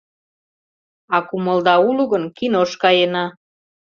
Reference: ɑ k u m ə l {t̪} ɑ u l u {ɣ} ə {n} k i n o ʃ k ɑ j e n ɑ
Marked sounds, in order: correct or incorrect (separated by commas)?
incorrect, correct, correct